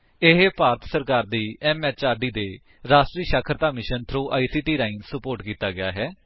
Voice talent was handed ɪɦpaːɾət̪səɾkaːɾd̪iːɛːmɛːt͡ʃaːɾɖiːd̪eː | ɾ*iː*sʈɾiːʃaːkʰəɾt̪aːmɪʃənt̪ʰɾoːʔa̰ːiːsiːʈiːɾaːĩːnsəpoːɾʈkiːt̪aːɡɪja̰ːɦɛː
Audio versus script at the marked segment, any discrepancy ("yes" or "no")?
yes